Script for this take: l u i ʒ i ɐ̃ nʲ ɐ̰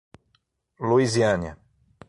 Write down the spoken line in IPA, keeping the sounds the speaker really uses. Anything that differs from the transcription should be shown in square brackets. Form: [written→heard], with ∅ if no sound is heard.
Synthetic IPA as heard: l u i [ʒ→z] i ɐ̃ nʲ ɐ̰